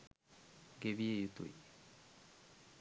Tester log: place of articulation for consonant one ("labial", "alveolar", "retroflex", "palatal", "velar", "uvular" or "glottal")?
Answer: velar